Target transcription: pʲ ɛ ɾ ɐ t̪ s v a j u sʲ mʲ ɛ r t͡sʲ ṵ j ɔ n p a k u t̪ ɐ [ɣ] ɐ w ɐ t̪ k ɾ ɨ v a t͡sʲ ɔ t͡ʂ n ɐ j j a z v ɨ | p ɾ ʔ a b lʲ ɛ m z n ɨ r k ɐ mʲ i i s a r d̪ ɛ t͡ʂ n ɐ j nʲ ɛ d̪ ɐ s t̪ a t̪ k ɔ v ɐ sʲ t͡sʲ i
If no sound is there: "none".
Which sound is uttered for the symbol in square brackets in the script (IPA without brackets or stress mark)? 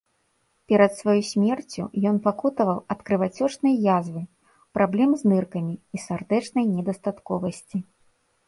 v